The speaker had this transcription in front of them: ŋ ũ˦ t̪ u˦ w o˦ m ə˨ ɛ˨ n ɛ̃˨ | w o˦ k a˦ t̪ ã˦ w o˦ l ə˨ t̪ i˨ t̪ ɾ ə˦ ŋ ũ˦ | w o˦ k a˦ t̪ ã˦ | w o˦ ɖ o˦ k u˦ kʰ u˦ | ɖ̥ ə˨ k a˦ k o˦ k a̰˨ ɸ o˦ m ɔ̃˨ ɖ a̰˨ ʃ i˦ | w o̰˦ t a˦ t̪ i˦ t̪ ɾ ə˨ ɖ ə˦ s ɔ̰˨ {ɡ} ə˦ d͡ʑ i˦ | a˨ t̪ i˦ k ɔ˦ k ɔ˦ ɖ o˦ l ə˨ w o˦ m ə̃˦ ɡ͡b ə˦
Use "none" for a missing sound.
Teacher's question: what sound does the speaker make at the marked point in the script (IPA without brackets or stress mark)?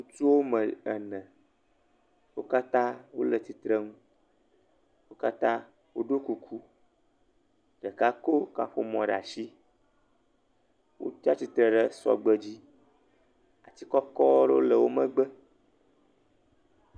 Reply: ɡ͡b